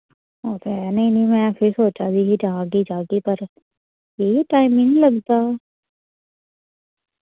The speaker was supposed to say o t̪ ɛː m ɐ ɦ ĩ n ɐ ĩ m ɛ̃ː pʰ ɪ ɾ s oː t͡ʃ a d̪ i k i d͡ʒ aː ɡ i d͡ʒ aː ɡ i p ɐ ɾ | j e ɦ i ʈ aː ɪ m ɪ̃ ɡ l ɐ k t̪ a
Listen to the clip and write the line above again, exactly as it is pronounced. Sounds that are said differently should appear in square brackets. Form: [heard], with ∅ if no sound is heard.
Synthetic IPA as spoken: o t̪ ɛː [n] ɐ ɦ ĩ n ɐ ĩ m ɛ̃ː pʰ ɪ ɾ s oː t͡ʃ a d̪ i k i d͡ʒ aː ɡ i d͡ʒ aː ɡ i p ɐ ɾ | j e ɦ i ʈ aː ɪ m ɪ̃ [ŋ] l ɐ [ɡ] t̪ a